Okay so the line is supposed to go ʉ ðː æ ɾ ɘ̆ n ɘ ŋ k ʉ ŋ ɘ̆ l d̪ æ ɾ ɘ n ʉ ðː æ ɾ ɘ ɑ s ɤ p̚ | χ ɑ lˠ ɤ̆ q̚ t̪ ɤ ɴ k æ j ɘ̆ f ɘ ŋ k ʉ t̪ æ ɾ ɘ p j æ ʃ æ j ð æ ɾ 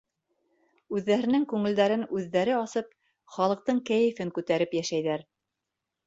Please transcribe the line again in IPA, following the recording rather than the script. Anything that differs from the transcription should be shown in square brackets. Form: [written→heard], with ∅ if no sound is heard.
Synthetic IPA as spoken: ʉ ðː æ ɾ ɘ̆ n ɘ ŋ k ʉ ŋ ɘ̆ l d̪ æ ɾ ɘ n ʉ ðː æ ɾ ɘ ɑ s ɤ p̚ | χ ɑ lˠ ɤ̆ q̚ t̪ ɤ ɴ k æ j ɘ̆ f ɘ ŋ k ʉ t̪ æ ɾ ɘ p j æ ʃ æ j ð æ ɾ